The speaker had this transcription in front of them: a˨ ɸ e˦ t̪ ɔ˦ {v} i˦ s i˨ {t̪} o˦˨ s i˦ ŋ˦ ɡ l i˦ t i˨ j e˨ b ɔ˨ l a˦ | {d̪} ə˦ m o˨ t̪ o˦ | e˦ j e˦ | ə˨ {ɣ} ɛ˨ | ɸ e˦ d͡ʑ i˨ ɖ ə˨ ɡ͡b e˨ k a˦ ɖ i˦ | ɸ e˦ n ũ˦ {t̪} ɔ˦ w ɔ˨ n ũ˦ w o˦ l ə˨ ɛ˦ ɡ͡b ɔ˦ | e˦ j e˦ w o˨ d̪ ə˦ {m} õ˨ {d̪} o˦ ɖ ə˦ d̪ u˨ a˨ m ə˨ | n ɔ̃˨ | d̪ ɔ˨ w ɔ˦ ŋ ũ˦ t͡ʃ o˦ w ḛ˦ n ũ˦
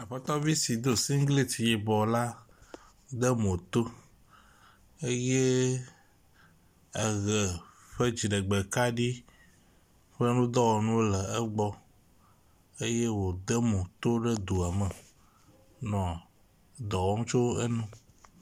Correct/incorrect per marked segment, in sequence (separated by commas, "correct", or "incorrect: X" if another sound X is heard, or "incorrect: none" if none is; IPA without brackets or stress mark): correct, incorrect: d̪, correct, correct, incorrect: d̪, correct, incorrect: t̪